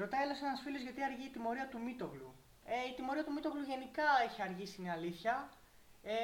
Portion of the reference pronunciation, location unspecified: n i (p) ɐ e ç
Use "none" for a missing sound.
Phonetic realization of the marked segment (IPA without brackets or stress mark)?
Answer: k